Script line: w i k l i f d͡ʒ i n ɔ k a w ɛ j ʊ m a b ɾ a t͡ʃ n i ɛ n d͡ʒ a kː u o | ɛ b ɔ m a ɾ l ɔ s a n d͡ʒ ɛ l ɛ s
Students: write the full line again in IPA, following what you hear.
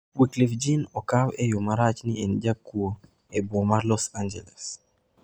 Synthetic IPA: w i k l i f d͡ʒ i n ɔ k a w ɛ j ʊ m a ɾ a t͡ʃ n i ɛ n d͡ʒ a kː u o | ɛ b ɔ m a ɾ l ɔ s a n d͡ʒ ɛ l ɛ s

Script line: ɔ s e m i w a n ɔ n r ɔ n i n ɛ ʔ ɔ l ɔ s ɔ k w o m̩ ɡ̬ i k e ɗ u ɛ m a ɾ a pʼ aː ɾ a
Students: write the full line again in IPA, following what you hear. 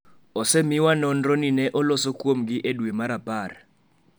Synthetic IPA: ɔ s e m i w a n ɔ n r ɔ n i n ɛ ʔ ɔ l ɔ s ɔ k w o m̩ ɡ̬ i ʔ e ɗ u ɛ m a ɾ a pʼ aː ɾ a

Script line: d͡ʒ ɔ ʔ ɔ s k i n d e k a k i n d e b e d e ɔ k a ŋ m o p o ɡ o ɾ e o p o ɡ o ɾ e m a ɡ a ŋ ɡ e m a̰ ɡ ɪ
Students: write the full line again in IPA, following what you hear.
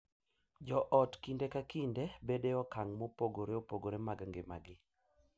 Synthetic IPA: d͡ʒ ɔ ʔ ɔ t k i n d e k a k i n d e b e d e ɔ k a ŋ m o p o ɡ o ɾ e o p o ɡ o ɾ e m a ɡ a ŋ ɡ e m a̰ ɡ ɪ

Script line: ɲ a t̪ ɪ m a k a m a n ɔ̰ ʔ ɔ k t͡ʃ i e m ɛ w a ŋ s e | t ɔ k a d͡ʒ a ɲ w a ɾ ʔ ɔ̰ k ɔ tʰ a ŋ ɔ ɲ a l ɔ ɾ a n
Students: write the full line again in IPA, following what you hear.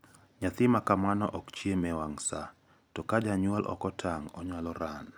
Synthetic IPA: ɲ a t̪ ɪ m a k a m a n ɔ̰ ʔ ɔ k t͡ʃ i e m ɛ w a ŋ s a | t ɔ k a d͡ʒ a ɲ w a l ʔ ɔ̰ k ɔ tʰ a ŋ ɔ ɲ a l ɔ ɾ a n

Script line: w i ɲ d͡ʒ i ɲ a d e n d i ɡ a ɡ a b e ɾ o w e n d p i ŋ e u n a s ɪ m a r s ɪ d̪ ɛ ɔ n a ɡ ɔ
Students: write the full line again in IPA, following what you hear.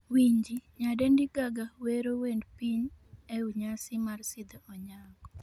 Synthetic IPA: w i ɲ d͡ʒ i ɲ a d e n d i ɡ a ɡ a w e ɾ o w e n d p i ɲ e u ɲ a s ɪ m a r s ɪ d̪ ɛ ɔ ɲ a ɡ ɔ

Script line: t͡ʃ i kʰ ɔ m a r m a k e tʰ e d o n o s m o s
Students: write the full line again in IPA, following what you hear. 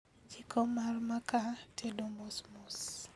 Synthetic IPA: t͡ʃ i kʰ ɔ m a r m a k a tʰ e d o m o s m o s

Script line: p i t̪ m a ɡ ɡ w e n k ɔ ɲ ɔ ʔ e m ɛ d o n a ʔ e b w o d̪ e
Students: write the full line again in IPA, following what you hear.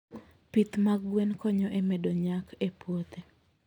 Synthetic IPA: p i t̪ m a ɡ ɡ w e n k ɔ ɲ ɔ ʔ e m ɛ d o ɲ a k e p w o t̪ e

